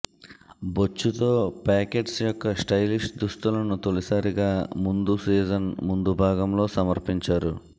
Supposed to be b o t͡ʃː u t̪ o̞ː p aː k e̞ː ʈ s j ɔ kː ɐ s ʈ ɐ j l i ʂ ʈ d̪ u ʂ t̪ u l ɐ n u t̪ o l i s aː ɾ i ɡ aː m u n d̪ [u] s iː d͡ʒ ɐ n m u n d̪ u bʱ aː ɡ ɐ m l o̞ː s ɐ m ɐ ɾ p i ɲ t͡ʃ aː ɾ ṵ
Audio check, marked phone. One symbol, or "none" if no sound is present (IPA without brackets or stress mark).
u